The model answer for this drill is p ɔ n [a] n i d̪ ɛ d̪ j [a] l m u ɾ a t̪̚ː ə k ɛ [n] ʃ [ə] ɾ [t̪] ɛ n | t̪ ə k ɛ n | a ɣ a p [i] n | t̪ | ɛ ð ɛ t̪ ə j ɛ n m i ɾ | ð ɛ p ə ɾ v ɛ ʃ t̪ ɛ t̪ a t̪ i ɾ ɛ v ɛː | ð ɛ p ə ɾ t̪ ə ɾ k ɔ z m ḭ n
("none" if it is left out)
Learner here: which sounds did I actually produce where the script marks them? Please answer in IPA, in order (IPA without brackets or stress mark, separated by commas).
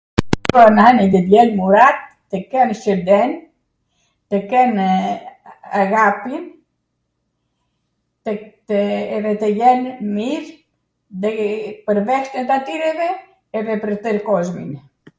a, ɛ, n, ə, d̪, i